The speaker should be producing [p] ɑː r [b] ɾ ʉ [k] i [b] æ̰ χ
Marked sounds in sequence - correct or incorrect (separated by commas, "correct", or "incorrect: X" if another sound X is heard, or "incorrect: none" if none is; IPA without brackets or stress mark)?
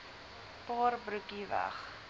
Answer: correct, correct, correct, incorrect: v